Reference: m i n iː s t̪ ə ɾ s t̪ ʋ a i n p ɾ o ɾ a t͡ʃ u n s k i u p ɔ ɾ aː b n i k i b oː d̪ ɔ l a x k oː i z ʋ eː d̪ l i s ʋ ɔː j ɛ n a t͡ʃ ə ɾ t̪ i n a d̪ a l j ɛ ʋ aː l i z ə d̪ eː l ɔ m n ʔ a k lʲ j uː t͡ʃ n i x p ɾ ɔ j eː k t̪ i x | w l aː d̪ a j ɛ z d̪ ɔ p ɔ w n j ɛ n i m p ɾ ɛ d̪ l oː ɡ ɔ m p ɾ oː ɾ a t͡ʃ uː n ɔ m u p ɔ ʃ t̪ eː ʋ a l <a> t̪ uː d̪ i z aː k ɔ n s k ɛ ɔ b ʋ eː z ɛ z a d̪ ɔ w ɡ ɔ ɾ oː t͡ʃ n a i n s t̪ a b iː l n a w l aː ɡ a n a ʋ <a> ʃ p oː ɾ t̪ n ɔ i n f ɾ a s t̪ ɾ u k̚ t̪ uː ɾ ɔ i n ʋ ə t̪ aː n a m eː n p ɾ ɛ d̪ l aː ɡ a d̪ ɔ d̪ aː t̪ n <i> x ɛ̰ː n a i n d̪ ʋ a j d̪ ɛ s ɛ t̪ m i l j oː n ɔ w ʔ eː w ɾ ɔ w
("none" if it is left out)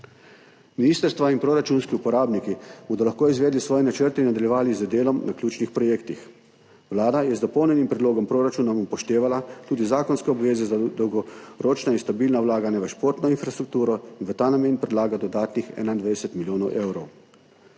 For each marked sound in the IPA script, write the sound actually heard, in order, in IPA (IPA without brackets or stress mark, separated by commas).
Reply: a, ə, i